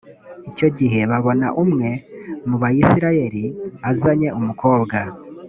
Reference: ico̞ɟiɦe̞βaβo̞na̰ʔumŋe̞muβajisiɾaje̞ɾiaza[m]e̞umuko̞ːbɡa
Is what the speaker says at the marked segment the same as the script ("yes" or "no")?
no